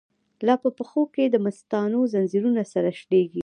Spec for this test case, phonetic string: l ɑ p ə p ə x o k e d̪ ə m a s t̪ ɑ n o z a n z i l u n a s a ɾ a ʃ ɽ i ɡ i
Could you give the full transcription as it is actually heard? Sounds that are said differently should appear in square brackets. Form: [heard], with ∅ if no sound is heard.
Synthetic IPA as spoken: l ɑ p ə p ə x o k e d̪ ə m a s t̪ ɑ n o z a n z i [ɾ] u n a s a ɾ a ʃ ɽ [e] ɡ i

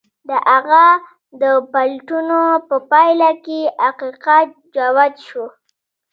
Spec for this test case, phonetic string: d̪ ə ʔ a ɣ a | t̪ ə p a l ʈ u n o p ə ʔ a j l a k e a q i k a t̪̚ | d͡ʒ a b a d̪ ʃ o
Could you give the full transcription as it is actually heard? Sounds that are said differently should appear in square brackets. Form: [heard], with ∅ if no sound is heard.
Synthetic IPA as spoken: d̪ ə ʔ a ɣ a | [d̪] ə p a l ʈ u n o p ə [p] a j l a k e a q i [q] a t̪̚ | d͡ʒ a [w] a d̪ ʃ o

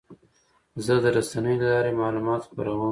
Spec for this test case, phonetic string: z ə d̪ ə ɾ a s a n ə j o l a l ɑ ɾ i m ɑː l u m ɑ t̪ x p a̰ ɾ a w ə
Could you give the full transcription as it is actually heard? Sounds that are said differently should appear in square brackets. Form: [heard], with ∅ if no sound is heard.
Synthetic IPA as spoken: z ə d̪ ə ɾ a s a n ə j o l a l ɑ ɾ [e] m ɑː l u m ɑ t̪ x p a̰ ɾ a w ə

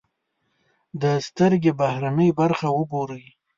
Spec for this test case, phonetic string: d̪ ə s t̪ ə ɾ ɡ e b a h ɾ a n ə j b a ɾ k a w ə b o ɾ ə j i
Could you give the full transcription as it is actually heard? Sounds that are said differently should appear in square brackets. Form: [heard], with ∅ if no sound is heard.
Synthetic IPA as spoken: d̪ ə s t̪ ə ɾ ɡ e b a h ɾ a n ə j b a ɾ [x] a w ə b o ɾ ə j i

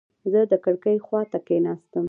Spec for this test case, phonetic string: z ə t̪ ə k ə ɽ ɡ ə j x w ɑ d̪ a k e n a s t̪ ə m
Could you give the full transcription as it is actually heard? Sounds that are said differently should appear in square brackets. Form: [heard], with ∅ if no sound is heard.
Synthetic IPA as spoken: z ə [d̪] ə k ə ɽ [k] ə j x w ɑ [t̪] a k e n [ɑ] s t̪ ə m

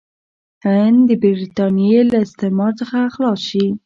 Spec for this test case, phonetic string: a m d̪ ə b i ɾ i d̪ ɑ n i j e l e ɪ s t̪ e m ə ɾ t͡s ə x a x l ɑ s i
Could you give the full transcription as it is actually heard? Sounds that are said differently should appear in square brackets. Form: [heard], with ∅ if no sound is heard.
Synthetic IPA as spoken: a [n] d̪ ə b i ɾ i [t̪] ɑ n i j e l [a] ɪ s t̪ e m [ɑ] ɾ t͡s ə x a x l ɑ [ʃ] i

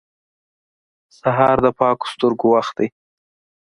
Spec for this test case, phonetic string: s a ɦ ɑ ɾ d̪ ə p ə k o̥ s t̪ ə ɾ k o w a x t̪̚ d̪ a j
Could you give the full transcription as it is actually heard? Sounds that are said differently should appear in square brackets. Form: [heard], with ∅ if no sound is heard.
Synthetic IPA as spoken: s a ɦ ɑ ɾ d̪ ə p [ɑ] k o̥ s t̪ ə ɾ [ɡ] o w a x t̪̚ d̪ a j

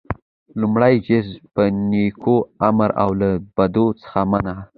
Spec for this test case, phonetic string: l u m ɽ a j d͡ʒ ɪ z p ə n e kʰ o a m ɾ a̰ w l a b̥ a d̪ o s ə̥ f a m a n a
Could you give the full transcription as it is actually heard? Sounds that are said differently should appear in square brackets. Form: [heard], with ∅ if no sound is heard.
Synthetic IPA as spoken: l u m ɽ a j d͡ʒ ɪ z p ə n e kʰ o a m ɾ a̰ w l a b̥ a d̪ o [t͡s] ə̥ [x] a m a n a

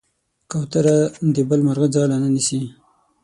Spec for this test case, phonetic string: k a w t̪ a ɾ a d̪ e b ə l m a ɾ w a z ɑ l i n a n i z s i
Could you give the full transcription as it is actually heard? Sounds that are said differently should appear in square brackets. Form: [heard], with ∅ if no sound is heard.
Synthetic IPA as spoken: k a w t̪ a ɾ a d̪ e b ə l m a ɾ [ɣ] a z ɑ l [a] n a n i [∅] s i

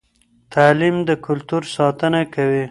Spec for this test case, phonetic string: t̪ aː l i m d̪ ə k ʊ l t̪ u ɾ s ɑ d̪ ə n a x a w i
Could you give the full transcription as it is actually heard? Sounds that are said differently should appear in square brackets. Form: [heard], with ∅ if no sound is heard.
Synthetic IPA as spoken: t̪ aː l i m d̪ ə k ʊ l t̪ u ɾ s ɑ [t̪] ə n a [k] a w i

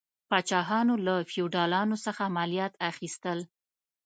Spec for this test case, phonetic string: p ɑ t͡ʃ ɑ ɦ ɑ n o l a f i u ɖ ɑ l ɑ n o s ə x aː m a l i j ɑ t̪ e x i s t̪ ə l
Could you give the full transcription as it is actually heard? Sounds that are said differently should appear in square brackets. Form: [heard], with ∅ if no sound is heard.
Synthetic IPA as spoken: p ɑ t͡ʃ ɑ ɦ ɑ n o l a f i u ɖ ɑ l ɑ n o s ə x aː m a l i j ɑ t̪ [a] x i s t̪ ə l

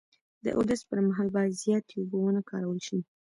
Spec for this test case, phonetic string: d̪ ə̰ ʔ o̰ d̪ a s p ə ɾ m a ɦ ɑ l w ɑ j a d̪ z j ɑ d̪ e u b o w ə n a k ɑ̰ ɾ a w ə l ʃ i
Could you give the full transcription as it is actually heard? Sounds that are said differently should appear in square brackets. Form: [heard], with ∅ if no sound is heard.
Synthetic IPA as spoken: d̪ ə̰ ʔ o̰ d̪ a s p ə ɾ m a ɦ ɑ l [b] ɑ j a d̪ z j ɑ [t̪] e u b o w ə n a k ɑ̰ ɾ a w ə l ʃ i

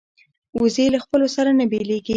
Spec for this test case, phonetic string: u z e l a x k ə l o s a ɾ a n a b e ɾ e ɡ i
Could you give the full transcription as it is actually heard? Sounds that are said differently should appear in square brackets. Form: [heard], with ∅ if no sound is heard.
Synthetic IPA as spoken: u z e l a x [p] ə l o s a ɾ a n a b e [l] e ɡ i

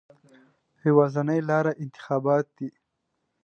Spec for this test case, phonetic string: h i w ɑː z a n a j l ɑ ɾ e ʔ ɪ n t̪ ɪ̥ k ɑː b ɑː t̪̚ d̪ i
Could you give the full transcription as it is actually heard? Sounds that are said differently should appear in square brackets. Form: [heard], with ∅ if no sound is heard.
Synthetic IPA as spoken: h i w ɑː z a n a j l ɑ ɾ [a] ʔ ɪ n t̪ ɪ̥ [x] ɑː b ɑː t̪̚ d̪ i

